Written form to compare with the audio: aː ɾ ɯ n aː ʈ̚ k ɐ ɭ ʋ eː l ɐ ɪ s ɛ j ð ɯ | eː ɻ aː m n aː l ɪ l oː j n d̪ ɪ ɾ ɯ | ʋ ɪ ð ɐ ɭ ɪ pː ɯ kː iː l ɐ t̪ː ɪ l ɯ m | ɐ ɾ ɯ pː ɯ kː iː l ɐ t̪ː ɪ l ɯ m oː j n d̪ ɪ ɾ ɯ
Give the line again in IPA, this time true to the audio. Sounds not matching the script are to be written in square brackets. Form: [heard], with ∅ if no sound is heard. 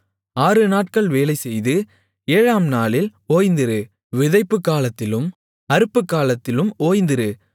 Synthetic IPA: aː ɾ ɯ n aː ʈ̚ k ɐ ɭ ʋ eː l ɐ ɪ s ɛ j ð ɯ | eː ɻ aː m n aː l ɪ l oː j n d̪ ɪ ɾ ɯ | ʋ ɪ ð ɐ [∅] ɪ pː ɯ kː [aː] l ɐ t̪ː ɪ l ɯ m | ɐ ɾ ɯ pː ɯ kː [aː] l ɐ t̪ː ɪ l ɯ m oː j n d̪ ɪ ɾ ɯ